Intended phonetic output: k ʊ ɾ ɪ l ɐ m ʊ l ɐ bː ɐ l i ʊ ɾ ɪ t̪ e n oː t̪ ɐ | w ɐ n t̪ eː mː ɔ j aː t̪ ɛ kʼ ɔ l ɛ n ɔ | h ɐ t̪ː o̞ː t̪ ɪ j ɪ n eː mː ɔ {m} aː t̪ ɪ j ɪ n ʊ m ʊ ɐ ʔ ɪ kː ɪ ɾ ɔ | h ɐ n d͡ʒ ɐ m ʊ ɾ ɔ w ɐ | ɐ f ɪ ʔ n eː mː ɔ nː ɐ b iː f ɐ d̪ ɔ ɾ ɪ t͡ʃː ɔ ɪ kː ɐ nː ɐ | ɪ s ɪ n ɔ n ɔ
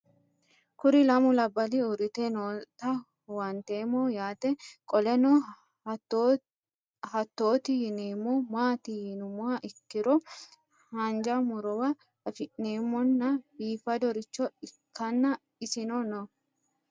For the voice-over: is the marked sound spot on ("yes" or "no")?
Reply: yes